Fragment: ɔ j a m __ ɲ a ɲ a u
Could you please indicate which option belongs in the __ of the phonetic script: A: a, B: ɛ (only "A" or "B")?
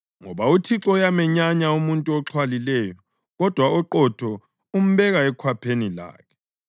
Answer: B